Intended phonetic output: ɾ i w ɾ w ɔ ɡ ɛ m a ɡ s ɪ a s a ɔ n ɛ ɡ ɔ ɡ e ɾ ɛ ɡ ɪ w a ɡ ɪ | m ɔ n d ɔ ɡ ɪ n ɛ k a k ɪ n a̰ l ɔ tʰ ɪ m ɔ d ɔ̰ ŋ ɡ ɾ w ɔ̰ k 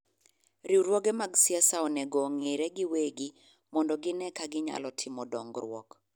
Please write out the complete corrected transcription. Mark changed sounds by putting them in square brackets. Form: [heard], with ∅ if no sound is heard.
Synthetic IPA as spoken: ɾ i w ɾ w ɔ ɡ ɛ m a ɡ s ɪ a s a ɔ n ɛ ɡ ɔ [ŋ] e ɾ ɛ ɡ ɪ w [e] ɡ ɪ | m ɔ n d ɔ ɡ ɪ n ɛ k a [ɡ] ɪ [ɲ] a̰ l ɔ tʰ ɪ m ɔ d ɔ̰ ŋ ɡ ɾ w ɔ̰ k